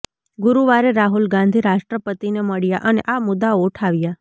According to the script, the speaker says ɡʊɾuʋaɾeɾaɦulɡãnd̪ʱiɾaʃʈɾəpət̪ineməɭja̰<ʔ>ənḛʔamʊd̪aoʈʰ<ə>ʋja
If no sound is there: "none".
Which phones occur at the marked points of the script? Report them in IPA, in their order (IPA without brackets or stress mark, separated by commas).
ʔ, a